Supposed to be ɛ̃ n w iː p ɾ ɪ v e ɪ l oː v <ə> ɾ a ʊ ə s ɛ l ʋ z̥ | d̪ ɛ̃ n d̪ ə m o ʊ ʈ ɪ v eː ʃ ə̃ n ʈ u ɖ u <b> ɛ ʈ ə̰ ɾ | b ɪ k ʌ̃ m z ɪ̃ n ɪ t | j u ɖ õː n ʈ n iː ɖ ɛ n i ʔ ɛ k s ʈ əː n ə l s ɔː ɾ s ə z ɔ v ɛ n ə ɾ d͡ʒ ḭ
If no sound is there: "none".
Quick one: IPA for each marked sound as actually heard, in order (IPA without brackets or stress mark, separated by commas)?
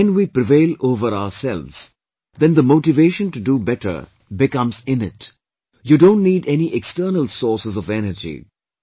ə, b